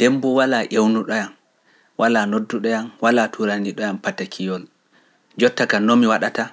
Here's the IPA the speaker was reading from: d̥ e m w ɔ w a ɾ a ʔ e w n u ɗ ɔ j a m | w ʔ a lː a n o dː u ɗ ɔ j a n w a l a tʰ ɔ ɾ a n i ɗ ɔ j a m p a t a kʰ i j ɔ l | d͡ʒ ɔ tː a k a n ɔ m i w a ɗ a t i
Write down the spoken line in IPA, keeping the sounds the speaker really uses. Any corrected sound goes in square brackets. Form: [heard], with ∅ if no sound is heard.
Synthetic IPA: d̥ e m [b] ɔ w a [l] a ʔ e w n u ɗ ɔ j a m | w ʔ a [l] a n o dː u ɗ ɔ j a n w a l a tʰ [u] ɾ a n i ɗ ɔ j a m p a t a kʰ i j ɔ l | d͡ʒ ɔ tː a k a n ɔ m i w a ɗ a t [a]